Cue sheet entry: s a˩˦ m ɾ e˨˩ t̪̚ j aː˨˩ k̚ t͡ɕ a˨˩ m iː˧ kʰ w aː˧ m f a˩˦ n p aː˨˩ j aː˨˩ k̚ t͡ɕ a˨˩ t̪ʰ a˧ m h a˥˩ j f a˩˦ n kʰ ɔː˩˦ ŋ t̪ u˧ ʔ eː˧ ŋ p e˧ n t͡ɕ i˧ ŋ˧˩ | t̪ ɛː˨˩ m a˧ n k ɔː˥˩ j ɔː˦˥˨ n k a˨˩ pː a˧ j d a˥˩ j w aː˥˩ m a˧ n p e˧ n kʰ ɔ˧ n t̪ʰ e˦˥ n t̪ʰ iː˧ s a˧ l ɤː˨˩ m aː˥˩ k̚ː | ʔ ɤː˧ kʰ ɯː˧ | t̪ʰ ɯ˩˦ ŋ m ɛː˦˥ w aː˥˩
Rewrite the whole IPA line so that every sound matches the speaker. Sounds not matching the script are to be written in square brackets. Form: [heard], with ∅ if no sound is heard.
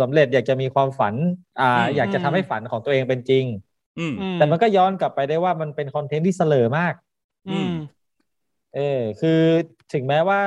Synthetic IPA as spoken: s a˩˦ m ɾ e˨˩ t̪̚ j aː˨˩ k̚ t͡ɕ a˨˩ m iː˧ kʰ w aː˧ m f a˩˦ n [ʔ] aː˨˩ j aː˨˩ k̚ t͡ɕ a˨˩ t̪ʰ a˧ m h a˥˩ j f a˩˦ n kʰ ɔː˩˦ ŋ t̪ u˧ ʔ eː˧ ŋ p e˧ n t͡ɕ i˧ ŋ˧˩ | t̪ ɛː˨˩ m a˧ n k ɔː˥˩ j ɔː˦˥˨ n k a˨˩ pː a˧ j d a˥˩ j w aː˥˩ m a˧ n p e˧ n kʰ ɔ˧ n t̪ʰ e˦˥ n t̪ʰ [iː˥˩] s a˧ l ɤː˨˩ m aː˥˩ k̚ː | ʔ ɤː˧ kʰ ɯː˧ | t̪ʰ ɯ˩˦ ŋ m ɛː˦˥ w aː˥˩